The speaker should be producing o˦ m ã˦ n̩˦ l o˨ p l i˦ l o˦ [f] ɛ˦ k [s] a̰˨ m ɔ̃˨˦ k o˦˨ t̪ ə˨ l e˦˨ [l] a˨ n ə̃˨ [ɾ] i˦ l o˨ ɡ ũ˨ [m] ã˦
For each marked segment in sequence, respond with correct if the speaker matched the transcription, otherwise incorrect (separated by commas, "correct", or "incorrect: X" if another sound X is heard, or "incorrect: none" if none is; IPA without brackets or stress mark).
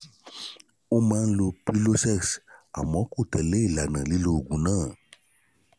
incorrect: s, correct, correct, incorrect: l, incorrect: n